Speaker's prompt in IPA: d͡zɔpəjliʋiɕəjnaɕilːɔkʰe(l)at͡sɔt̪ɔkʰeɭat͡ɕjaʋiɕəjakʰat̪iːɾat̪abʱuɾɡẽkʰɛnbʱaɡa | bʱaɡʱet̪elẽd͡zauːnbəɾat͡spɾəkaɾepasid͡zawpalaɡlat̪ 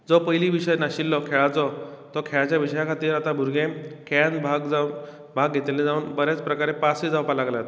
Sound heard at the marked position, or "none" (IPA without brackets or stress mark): ɭ